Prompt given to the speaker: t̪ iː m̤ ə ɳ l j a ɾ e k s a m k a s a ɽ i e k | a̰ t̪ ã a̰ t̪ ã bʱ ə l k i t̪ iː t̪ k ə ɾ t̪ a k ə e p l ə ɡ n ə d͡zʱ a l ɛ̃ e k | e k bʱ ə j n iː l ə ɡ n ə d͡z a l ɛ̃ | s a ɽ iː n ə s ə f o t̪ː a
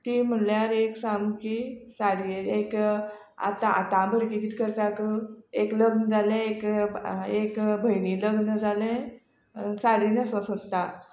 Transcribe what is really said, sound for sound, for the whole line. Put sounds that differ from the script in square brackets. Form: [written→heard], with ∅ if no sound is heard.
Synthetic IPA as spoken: t̪ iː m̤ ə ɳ l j a ɾ e k s a m k [a→i] s a ɽ i e k | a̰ t̪ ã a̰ t̪ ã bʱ ə [l→ɾ] k i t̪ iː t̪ k ə ɾ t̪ a k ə e [p→k] l ə ɡ n ə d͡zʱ a l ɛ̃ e k | e k bʱ ə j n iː l ə ɡ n ə d͡z a l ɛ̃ | s a ɽ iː n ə s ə [f→s] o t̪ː a